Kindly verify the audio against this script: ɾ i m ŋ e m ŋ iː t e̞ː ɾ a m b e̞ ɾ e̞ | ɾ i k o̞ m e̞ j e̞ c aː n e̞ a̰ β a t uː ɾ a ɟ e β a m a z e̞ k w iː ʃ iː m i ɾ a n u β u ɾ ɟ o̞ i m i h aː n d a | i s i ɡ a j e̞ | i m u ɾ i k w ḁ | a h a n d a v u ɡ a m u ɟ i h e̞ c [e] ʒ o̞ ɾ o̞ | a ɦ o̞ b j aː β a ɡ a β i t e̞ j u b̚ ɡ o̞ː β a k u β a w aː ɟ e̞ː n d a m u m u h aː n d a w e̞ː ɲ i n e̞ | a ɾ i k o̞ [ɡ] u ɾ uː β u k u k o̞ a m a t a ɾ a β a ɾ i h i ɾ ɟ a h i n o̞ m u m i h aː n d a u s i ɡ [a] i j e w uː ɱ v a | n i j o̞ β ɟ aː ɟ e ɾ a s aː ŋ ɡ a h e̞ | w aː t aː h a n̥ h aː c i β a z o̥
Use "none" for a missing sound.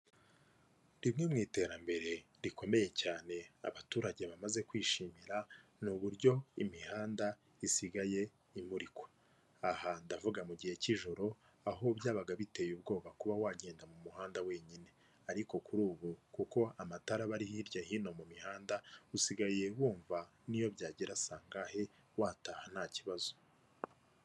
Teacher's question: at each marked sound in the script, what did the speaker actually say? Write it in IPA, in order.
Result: i, k, a

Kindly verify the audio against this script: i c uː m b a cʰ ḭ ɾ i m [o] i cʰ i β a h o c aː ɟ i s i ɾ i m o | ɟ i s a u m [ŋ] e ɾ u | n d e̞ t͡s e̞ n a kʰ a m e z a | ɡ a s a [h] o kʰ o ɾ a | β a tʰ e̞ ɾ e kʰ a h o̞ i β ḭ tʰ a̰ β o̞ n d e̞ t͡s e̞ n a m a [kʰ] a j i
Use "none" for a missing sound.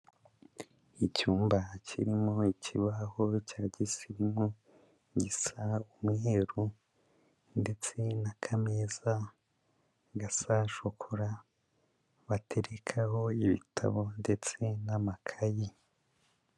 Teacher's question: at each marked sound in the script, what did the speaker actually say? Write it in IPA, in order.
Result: o, ŋ, ʃ, kʰ

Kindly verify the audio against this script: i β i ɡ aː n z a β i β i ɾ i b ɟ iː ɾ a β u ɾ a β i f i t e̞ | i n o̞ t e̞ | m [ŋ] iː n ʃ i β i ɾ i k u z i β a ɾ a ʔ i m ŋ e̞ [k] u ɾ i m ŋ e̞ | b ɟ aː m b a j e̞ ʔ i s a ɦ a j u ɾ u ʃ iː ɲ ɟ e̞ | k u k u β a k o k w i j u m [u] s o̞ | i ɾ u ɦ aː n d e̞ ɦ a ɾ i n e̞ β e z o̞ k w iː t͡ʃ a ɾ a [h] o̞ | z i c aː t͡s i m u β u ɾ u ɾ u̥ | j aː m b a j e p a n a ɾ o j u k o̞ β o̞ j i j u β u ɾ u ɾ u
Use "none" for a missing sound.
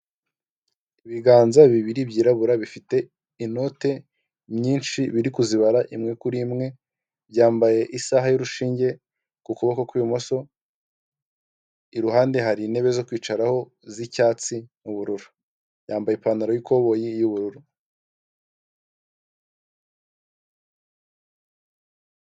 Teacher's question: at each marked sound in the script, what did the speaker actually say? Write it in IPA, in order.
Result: ɲ, k, o, h

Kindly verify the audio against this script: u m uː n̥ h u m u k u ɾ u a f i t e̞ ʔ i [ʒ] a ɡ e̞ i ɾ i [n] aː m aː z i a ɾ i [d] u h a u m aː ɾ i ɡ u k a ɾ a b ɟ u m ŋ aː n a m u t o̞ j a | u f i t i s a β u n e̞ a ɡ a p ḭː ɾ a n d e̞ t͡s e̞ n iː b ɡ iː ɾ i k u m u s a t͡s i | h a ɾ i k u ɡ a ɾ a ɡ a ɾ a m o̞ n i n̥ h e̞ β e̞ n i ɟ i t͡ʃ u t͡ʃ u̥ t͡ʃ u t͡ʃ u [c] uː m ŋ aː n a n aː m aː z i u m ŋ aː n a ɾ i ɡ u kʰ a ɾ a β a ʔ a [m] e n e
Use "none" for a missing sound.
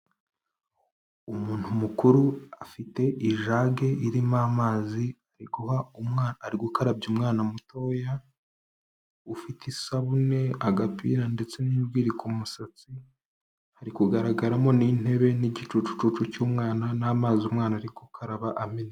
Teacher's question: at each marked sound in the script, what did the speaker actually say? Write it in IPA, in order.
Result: ʒ, m, ɡ, c, m

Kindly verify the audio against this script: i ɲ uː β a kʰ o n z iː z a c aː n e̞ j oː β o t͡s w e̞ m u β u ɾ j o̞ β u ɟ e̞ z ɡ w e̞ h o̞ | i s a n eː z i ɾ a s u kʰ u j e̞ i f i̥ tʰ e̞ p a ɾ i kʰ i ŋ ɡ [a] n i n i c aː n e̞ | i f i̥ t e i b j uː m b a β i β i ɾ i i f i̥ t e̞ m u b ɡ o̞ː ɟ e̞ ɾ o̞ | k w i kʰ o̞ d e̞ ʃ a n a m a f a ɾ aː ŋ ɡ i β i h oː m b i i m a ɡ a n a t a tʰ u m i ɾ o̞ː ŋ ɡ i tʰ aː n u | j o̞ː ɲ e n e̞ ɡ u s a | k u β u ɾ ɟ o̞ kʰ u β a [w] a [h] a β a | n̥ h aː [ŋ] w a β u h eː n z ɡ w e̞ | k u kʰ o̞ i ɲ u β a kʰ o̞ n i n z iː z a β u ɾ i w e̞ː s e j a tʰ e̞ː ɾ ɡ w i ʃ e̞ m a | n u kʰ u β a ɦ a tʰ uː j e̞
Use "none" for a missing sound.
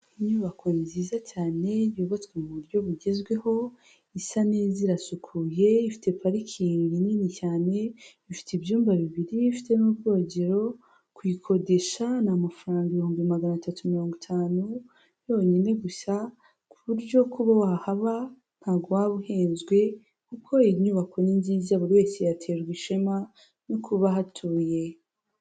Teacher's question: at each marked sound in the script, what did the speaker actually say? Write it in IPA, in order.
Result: i, w, h, ɡ

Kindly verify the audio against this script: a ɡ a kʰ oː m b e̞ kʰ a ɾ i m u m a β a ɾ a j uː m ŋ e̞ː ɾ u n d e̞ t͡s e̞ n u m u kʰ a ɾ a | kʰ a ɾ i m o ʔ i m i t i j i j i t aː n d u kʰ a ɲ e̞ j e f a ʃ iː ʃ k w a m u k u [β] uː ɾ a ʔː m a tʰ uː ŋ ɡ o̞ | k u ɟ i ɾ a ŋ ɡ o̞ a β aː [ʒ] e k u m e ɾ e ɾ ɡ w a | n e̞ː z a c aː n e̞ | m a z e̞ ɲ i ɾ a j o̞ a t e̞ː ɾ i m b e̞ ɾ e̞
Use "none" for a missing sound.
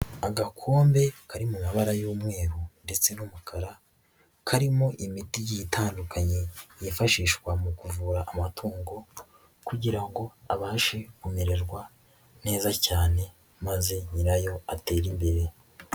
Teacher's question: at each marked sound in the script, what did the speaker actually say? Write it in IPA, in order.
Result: v, ʃ

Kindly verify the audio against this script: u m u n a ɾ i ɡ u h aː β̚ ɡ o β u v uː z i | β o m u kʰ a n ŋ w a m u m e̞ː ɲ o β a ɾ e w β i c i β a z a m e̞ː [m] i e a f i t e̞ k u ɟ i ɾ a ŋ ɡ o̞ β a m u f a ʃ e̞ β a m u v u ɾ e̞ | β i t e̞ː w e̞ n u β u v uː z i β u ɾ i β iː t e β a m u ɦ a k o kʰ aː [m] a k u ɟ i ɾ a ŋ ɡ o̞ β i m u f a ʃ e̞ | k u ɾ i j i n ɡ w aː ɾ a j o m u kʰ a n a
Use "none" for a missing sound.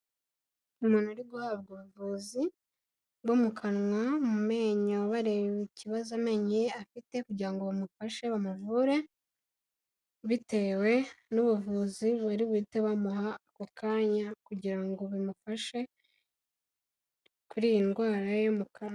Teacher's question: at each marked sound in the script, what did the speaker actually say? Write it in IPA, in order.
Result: ɲ, ɲ

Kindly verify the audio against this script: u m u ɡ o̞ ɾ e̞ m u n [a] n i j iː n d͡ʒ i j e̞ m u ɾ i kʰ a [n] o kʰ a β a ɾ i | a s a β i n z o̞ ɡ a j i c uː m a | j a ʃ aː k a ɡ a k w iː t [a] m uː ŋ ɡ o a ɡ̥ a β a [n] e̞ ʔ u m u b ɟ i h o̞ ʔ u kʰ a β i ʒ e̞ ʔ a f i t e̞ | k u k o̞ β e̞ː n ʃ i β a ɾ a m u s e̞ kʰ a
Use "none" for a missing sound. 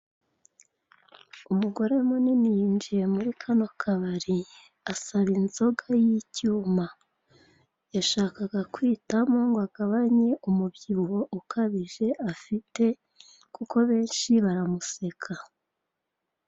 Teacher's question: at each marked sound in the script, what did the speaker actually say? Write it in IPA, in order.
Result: i, n, a, ɲ

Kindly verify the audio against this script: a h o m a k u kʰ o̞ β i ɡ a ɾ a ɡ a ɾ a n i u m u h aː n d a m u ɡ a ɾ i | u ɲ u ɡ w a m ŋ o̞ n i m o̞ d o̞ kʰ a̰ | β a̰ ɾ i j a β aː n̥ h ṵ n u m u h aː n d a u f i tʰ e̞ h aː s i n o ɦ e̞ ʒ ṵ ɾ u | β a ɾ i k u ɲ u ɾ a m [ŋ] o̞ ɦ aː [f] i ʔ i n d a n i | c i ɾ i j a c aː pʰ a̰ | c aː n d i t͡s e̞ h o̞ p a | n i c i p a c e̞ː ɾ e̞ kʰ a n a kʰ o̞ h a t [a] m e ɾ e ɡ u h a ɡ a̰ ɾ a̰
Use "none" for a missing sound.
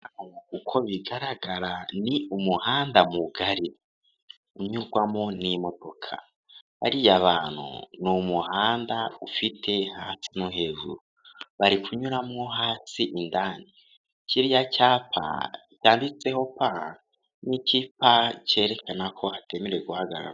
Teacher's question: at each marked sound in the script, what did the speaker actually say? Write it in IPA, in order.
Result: ŋ, s, e

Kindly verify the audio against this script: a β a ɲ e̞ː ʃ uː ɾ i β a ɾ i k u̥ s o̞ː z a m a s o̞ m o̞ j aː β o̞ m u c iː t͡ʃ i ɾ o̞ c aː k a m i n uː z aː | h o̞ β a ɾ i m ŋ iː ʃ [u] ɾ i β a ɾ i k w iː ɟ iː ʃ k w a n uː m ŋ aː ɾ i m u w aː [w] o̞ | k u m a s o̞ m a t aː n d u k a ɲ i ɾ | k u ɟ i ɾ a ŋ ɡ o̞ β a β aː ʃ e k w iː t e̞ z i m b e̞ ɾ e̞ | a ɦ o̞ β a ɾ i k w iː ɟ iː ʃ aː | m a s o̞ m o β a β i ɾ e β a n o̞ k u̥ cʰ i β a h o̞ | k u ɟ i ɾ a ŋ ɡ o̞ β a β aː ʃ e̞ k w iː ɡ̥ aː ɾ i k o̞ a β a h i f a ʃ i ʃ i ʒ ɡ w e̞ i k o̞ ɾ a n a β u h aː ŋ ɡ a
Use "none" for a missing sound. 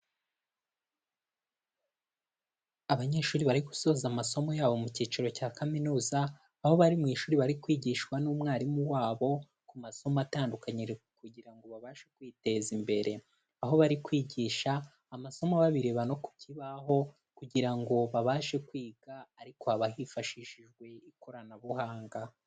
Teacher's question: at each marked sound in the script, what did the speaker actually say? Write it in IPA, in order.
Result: uː, β

